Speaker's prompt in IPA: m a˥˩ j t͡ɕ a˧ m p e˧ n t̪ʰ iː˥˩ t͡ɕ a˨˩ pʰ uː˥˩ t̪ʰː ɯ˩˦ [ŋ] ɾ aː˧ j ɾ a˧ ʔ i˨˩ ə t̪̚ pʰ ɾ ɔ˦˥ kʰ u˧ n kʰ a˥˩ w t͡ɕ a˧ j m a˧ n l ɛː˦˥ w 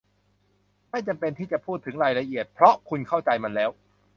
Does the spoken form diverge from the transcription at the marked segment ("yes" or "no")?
no